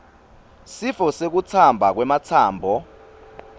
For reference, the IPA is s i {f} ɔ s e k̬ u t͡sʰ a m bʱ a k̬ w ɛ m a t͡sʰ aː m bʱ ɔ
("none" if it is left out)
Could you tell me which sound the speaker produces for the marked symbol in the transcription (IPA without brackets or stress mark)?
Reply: f